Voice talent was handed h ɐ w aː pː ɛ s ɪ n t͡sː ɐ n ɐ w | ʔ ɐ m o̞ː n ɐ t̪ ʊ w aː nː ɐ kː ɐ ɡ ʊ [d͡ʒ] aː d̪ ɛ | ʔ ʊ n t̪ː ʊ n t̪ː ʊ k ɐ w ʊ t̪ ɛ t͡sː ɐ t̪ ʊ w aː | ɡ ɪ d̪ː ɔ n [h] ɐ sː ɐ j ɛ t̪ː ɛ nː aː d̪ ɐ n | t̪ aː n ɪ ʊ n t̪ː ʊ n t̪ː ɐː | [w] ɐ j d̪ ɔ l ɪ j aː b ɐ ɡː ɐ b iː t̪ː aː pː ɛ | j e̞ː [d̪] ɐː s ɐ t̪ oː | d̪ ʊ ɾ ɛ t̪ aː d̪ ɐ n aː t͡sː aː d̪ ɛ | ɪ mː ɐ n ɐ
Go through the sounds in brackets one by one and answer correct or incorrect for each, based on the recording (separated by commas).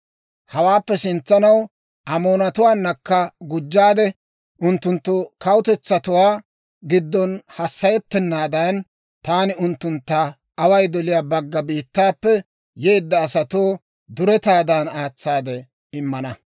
incorrect, correct, correct, incorrect